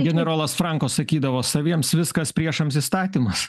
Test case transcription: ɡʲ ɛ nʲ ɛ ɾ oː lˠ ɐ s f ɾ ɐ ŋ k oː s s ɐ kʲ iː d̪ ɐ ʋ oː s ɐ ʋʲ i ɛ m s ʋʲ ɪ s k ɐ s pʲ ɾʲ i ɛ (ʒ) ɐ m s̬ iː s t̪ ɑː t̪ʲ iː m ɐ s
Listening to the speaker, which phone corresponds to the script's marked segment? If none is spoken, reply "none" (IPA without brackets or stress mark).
ʃ